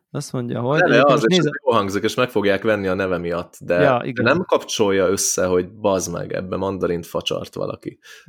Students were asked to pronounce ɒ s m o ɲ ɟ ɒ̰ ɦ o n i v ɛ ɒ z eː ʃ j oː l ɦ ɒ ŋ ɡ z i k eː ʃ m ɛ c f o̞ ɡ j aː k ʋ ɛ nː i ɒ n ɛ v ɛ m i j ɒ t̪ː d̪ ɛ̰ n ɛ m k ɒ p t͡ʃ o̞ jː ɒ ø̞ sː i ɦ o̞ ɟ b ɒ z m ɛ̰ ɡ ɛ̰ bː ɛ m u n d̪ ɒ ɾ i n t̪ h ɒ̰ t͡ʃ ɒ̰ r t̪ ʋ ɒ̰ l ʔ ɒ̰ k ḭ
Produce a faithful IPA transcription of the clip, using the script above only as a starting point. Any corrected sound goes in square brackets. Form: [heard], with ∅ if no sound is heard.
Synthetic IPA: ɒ s m o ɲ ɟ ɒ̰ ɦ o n [ɛ] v ɛ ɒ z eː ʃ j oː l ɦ ɒ ŋ ɡ z i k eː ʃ m ɛ [k] f o̞ ɡ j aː k ʋ ɛ nː i ɒ n ɛ v ɛ m i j ɒ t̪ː d̪ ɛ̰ n ɛ m k ɒ p t͡ʃ o̞ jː ɒ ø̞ sː [ɛ] ɦ o̞ ɟ b ɒ z m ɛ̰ ɡ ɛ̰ bː ɛ m [ɒ] n d̪ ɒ ɾ i n t̪ [f] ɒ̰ t͡ʃ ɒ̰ r t̪ ʋ ɒ̰ l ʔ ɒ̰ k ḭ